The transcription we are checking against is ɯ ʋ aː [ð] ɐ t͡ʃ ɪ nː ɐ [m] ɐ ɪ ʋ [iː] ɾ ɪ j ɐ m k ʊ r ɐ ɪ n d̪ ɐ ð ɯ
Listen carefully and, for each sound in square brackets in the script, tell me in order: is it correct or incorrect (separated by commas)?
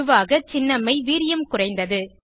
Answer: incorrect, correct, correct